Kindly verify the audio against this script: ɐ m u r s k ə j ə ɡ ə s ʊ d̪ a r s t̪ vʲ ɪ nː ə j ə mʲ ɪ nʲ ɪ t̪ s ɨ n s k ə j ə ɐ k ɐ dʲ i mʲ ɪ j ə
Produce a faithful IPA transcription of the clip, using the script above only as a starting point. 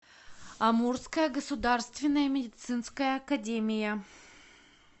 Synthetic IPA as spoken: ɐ m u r s k ə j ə ɡ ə s ʊ d̪ a r s t̪ vʲ ɪ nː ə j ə mʲ ɪ dʲ ɪ t̪ s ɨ n s k ə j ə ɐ k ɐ dʲ e mʲ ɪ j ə